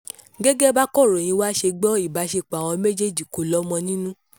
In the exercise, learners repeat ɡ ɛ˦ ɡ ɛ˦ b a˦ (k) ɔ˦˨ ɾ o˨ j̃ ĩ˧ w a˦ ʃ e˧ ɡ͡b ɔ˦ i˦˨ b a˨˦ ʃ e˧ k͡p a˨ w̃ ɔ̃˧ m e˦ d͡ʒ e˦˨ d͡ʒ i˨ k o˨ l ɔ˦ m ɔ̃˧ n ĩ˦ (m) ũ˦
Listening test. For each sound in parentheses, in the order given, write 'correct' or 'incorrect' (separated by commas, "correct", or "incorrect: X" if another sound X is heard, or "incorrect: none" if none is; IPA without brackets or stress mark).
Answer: correct, incorrect: n